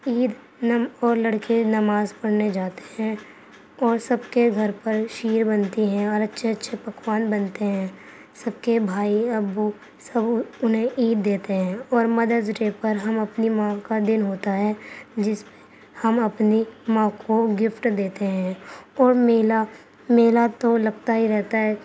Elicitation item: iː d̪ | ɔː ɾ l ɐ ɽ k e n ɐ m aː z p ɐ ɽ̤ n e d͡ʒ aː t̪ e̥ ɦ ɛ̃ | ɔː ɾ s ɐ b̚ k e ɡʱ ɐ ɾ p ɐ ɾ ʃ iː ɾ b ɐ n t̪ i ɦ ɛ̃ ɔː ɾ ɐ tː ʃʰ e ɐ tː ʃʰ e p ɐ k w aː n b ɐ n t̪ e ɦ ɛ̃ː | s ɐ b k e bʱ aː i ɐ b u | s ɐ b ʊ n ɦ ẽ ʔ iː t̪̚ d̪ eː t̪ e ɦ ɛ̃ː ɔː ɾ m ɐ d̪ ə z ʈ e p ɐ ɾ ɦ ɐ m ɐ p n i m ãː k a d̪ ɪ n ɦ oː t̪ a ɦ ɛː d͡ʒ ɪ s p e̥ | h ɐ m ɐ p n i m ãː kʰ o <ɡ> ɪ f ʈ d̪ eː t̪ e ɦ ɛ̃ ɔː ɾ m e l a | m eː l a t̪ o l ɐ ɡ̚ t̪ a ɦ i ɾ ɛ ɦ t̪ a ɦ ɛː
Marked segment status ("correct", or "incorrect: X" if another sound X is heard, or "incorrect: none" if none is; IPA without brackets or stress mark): correct